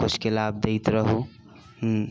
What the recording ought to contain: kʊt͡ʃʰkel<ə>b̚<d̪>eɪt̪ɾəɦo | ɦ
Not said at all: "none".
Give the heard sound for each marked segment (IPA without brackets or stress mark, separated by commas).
a, d̪